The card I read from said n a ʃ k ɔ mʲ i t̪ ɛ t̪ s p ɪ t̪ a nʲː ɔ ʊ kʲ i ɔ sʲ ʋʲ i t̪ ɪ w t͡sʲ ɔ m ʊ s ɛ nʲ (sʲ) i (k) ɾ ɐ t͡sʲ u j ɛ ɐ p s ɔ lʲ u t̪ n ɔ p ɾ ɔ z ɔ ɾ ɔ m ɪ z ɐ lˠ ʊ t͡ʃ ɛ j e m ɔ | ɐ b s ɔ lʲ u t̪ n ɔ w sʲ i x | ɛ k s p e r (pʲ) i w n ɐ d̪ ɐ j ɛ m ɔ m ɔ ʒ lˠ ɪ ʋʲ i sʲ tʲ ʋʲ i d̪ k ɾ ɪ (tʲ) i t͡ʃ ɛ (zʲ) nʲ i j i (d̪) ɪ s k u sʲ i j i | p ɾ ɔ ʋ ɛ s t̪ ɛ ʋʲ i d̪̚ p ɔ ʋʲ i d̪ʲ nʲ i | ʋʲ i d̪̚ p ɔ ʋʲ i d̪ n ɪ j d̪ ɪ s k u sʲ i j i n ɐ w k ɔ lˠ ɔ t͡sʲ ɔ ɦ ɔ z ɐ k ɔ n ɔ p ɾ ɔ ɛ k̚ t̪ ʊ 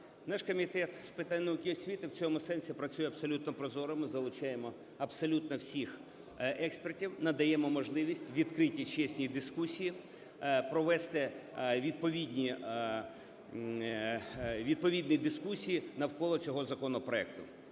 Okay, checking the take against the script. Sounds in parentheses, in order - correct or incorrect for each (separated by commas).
correct, incorrect, incorrect, correct, incorrect, correct